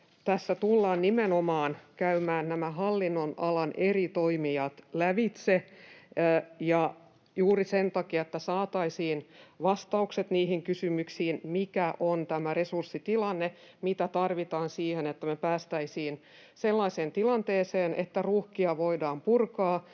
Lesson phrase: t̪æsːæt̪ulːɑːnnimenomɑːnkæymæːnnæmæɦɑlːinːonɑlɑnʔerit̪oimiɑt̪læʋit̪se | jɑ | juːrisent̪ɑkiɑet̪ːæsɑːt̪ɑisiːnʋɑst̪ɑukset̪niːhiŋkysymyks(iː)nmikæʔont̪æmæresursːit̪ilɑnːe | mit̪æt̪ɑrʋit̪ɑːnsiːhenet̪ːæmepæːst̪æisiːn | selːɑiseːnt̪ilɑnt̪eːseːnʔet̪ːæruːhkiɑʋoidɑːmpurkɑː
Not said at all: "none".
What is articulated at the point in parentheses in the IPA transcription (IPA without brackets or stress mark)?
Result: iː